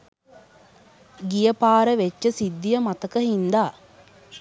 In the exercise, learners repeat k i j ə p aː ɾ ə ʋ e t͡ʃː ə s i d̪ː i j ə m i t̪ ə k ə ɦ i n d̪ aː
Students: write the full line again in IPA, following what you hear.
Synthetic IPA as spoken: ɡ i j ə p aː ɾ ə ʋ e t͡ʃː ə s i d̪ː i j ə m a t̪ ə k ə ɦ i n d̪ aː